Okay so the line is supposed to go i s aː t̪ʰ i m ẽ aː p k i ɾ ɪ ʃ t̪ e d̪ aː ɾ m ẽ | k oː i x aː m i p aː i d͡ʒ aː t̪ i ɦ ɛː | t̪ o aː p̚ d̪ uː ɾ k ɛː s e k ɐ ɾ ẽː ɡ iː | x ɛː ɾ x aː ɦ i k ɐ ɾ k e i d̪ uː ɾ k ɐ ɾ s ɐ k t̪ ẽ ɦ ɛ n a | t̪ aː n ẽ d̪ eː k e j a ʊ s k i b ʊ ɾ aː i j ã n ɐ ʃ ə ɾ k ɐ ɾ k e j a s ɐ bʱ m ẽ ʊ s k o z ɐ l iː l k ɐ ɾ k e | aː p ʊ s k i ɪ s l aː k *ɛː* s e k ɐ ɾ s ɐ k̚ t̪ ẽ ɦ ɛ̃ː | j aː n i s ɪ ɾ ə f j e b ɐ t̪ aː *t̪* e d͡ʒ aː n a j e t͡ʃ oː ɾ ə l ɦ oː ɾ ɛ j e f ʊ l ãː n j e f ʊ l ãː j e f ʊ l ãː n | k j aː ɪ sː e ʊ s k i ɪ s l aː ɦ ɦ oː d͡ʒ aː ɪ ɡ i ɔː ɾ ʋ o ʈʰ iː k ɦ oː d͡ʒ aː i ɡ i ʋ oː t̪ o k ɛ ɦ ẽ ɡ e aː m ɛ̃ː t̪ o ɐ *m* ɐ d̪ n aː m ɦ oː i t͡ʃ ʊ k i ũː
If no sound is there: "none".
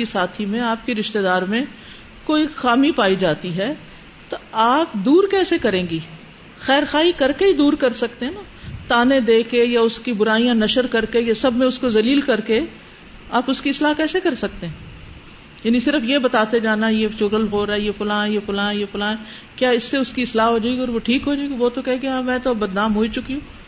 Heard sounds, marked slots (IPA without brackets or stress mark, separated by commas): ɛː, t̪, b